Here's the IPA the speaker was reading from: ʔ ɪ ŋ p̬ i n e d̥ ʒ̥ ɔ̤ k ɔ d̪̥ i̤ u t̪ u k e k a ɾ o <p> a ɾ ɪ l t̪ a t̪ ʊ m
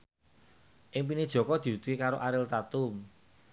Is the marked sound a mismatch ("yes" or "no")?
yes